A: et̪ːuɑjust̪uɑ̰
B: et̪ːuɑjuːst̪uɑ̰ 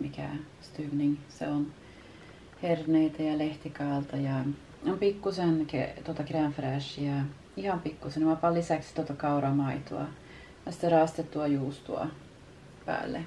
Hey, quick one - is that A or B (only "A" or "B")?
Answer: B